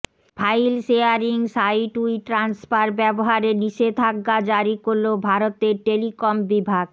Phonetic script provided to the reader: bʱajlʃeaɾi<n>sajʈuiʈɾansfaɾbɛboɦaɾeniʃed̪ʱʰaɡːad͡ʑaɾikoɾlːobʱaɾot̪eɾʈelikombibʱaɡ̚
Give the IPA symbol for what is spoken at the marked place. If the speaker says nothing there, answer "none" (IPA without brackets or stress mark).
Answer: ŋ